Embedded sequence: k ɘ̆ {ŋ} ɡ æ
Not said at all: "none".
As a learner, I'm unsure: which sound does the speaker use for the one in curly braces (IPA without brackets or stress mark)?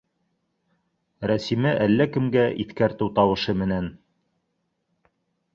m